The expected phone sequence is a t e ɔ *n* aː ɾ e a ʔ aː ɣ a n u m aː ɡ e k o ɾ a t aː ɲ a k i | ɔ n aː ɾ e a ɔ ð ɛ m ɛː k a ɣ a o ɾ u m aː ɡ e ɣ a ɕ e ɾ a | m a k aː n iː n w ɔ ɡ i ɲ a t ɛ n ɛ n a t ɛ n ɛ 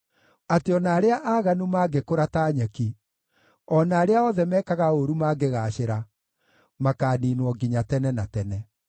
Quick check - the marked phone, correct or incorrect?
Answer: correct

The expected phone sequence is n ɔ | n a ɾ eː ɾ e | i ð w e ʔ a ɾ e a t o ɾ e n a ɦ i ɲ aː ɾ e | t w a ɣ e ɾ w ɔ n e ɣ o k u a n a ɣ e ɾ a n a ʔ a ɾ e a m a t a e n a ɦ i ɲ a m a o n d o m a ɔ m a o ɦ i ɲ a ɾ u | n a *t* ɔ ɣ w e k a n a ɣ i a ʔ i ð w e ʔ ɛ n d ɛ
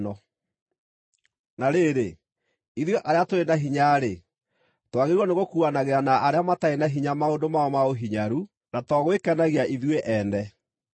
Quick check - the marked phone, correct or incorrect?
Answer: correct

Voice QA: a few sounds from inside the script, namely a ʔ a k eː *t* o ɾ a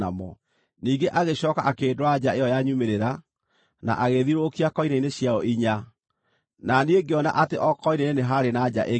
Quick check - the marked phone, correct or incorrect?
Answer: incorrect: d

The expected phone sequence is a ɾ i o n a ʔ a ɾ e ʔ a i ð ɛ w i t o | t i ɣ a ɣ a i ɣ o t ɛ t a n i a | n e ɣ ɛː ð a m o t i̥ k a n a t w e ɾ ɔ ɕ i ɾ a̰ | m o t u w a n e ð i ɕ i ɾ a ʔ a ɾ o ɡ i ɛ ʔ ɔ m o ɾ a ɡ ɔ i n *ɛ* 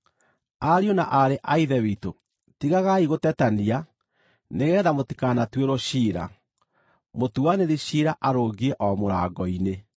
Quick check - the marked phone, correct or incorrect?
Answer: incorrect: e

